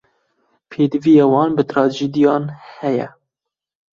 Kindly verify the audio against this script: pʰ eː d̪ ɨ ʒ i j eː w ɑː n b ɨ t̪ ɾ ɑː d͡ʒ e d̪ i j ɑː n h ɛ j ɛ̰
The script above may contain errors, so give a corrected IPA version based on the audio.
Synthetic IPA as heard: pʰ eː d̪ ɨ v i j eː w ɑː n b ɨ t̪ ɾ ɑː d͡ʒ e d̪ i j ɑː n h ɛ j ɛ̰

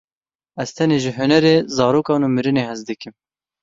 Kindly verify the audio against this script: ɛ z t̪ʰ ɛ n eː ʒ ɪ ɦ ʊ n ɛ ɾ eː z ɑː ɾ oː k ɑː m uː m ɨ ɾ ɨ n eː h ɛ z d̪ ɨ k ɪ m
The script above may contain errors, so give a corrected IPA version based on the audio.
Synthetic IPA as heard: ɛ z t̪ʰ ɛ n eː ʒ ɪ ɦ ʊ n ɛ ɾ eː z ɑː ɾ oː k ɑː n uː m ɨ ɾ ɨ n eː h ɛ z d̪ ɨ k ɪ m

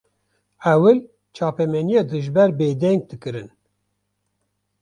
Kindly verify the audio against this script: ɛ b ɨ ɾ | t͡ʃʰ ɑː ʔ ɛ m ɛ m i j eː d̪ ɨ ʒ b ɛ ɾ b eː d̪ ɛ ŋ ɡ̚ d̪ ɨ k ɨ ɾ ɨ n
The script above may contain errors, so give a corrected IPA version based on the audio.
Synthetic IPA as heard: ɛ w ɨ l | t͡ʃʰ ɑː p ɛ m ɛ n i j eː d̪ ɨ ʒ b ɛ ɾ b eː d̪ ɛ ŋ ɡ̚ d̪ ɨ k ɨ ɾ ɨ n

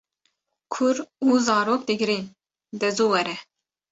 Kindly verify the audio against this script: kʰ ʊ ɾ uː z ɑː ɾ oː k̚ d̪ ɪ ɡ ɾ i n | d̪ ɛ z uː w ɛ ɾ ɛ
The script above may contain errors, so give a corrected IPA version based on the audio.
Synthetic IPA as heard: kʰ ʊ ɾ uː z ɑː ɾ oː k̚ d̪ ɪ ɡ ɾ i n | d̪ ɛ z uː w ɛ ɾ ɛ

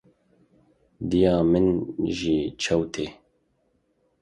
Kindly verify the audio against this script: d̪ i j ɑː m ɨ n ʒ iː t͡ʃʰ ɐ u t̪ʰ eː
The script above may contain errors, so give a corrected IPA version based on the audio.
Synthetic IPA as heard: d̪ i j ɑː m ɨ n ʒ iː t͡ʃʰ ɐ w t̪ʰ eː

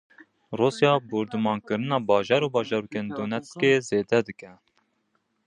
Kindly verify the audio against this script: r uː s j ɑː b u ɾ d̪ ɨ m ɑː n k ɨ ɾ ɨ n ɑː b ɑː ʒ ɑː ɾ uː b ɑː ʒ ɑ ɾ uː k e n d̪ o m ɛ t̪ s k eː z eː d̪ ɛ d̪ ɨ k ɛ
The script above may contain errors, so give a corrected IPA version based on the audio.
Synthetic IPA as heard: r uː s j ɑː b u ɾ d̪ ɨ m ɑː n k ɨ ɾ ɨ n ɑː b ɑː ʒ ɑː ɾ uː b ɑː ʒ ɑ ɾ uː k e n d̪ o n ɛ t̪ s k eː z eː d̪ ɛ d̪ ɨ k ɛ

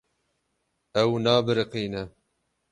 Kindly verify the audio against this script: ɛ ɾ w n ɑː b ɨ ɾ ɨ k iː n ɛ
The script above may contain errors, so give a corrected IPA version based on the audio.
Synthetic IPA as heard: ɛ w n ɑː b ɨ ɾ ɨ q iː n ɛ

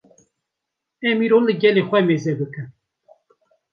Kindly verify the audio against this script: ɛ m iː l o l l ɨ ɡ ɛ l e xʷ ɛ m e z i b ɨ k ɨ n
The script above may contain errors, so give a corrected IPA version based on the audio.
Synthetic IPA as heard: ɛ m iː ɾ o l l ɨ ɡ ɛ l e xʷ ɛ m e z ɛ b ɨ k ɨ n

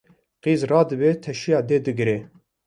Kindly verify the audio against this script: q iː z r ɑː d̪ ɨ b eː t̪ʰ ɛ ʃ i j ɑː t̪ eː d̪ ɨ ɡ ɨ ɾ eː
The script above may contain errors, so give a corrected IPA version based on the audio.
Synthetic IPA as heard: q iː z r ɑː d̪ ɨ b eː t̪ʰ ɛ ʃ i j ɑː d̪ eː d̪ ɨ ɡ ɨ ɾ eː

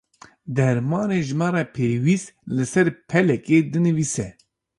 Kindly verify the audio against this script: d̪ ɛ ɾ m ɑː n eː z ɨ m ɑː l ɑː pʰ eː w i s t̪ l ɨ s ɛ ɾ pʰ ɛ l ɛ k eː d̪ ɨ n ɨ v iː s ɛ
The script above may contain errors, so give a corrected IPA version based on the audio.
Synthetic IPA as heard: d̪ ɛ ɾ m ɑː n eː ʒ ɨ m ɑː ɾ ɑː pʰ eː w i s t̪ l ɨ s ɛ ɾ pʰ ɛ l ɛ k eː d̪ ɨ n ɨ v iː s ɛ

